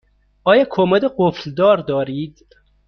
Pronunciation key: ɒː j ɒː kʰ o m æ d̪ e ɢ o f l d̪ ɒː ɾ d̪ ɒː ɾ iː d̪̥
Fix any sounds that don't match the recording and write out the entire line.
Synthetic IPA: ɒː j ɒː kʰ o m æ d̪ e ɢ o f l d̪ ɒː ɾ d̪ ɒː ɾ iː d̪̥